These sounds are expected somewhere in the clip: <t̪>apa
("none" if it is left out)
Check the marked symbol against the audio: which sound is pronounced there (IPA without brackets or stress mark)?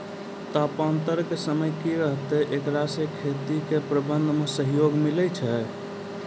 t̪